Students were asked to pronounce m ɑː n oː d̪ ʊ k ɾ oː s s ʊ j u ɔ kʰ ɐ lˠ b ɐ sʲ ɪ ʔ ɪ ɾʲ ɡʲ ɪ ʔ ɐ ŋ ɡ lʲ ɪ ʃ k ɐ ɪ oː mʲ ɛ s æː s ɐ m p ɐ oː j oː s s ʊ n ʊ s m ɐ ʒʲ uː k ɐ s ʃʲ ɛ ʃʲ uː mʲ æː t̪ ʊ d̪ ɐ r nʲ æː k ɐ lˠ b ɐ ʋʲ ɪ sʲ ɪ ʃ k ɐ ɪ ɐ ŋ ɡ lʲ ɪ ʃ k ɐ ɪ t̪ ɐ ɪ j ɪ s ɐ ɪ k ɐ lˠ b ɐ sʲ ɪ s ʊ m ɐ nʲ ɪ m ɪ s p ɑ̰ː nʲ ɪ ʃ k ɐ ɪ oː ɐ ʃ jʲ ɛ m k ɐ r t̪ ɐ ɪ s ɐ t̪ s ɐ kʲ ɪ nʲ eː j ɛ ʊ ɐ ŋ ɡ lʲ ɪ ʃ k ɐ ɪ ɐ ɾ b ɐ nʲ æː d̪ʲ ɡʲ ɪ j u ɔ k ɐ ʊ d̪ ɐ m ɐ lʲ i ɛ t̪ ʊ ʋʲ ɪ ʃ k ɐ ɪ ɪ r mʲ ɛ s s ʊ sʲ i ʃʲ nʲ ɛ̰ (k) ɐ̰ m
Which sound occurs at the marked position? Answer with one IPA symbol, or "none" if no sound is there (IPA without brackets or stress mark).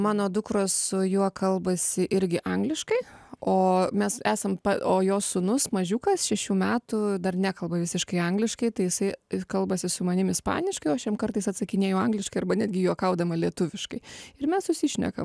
k